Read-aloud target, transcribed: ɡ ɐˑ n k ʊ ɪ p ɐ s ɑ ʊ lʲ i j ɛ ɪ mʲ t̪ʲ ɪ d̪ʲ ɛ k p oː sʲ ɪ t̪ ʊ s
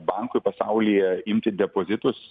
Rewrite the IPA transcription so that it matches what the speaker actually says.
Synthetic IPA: b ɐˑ ŋ k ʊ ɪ p ɐ s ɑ ʊ lʲ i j ɛ ɪ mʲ t̪ʲ ɪ d̪ʲ ɛ p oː zʲ ɪ t̪ ʊ s